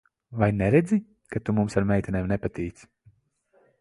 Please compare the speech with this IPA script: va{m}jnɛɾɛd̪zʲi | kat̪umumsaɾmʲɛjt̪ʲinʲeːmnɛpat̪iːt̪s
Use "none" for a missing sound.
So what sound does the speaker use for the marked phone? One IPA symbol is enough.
none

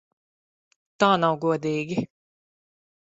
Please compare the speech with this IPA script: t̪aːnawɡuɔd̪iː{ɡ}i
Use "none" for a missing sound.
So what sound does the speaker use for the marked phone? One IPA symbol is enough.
ɡ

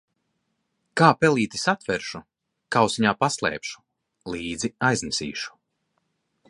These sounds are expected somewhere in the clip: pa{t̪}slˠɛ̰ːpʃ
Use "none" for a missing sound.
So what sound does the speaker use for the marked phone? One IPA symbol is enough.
none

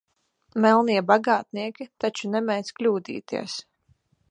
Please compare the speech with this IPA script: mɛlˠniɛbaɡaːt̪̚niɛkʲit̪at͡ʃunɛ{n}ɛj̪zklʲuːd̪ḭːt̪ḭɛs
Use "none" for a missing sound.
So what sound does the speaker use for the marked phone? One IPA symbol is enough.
m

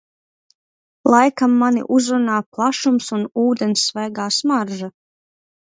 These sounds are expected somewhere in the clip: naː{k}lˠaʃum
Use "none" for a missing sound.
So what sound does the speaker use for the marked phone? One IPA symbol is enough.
p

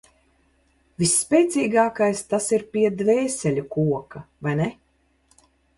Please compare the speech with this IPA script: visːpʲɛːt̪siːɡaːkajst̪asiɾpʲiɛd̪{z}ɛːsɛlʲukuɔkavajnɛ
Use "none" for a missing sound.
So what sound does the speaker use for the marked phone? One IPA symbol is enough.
v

